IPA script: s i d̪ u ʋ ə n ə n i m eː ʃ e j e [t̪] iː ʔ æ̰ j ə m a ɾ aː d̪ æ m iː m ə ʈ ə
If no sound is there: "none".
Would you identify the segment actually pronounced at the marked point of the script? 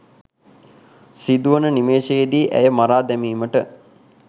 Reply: d̪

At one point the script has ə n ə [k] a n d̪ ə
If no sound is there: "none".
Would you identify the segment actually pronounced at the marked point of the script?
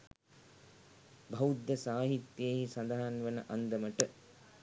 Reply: ʔ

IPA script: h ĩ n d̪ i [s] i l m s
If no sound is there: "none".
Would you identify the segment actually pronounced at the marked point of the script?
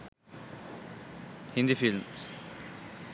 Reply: f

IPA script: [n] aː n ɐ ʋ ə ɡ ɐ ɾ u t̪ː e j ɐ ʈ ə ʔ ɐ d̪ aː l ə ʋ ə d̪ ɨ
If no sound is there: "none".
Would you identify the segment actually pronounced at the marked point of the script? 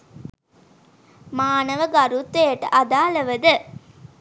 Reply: m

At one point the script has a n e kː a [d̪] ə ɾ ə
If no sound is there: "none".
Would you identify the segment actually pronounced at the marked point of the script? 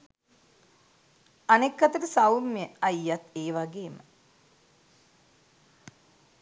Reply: t̪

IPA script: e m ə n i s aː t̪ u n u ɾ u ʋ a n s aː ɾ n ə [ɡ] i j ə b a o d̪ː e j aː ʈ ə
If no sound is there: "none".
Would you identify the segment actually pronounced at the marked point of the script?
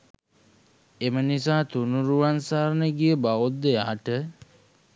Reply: ɡ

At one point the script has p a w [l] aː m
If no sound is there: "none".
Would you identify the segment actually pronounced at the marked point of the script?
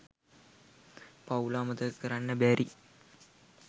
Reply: l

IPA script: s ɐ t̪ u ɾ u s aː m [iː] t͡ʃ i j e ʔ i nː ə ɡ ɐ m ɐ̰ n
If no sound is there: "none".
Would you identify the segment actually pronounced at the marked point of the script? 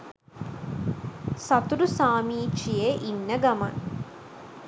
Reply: iː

